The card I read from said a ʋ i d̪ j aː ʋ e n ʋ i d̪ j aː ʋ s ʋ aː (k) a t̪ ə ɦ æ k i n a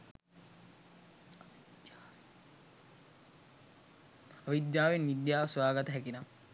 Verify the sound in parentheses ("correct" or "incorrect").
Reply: incorrect